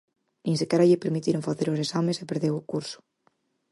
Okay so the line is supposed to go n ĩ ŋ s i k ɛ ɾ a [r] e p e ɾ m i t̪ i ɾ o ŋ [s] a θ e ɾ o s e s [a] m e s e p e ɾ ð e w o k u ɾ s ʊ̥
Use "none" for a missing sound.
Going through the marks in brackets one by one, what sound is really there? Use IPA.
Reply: ʎ, f, a

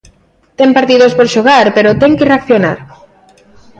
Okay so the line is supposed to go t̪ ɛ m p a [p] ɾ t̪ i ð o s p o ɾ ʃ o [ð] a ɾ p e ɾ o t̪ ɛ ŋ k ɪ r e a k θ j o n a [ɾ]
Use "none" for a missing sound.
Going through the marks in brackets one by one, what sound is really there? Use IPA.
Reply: none, ɣ, ɾ

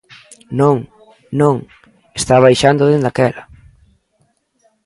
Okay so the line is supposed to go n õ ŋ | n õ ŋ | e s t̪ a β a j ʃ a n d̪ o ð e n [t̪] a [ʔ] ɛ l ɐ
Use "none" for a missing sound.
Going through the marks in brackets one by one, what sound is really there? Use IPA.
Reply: d̪, k

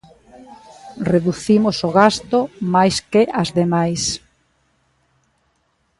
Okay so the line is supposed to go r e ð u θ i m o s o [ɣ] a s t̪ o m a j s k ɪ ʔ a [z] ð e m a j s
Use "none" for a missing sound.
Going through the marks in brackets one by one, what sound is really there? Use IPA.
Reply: ɣ, z

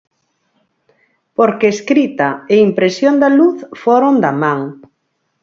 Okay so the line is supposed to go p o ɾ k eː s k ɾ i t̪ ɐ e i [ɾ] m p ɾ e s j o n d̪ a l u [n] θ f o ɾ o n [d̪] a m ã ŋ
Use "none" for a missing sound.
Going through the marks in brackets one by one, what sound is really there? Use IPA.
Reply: none, none, d̪

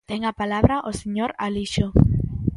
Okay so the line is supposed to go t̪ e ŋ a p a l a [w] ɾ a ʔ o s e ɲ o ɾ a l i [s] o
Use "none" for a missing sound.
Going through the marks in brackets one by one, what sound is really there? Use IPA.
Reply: β, ʃ

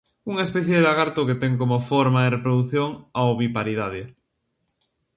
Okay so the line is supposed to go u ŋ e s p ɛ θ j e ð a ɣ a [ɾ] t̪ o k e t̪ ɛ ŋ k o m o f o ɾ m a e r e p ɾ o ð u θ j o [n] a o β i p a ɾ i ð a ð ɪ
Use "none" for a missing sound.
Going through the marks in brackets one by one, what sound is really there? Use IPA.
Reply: ɾ, ŋ

